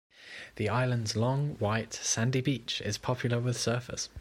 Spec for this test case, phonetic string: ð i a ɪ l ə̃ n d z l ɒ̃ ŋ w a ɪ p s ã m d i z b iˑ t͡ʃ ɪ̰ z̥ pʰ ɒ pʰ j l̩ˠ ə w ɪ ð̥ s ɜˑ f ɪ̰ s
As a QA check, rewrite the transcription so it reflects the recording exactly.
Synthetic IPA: ð i a ɪ l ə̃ n d z l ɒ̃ ŋ w a ɪ t s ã n d i b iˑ t͡ʃ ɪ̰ z̥ pʰ ɒ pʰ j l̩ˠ ə w ɪ ð̥ s ɜˑ f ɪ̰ s